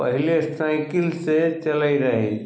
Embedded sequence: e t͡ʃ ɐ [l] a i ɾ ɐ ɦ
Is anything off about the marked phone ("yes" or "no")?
no